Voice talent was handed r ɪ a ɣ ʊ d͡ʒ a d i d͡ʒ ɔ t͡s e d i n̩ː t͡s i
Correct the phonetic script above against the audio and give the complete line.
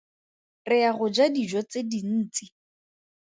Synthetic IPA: r ɪ a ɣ ʊ d͡ʒ a d i d͡ʒ ɔ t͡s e d i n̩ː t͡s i